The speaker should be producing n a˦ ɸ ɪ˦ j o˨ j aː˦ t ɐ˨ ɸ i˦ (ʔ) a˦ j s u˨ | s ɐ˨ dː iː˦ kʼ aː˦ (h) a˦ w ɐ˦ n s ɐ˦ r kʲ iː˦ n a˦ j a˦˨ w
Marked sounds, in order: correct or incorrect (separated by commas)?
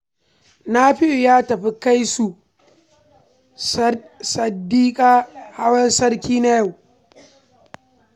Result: incorrect, correct